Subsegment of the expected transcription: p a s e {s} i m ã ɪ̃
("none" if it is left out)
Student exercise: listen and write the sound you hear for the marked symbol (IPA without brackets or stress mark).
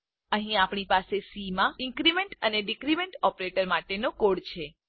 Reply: s